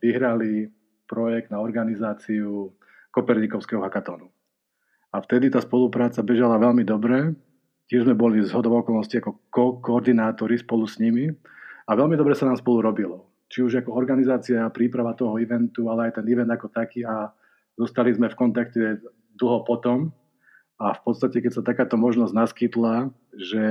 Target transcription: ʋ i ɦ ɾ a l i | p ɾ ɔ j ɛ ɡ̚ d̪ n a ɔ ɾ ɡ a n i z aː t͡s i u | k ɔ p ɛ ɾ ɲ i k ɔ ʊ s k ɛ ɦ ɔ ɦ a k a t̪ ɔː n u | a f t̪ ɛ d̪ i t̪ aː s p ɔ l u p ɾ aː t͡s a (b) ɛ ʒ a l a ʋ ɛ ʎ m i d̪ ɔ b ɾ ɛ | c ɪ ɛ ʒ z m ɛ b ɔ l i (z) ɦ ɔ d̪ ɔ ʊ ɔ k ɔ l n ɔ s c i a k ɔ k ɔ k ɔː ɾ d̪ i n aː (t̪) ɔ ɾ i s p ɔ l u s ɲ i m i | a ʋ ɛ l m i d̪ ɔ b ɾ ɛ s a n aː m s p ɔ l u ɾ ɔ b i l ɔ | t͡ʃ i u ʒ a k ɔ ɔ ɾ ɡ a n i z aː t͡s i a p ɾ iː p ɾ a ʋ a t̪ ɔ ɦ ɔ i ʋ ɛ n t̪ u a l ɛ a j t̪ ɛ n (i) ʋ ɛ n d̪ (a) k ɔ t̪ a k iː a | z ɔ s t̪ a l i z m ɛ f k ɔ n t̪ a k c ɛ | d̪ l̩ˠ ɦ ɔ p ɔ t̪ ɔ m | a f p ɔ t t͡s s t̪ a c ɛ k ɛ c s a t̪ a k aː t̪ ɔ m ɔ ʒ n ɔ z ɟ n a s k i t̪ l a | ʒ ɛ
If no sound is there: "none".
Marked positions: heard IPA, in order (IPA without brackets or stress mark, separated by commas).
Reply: b, z, t̪, i, a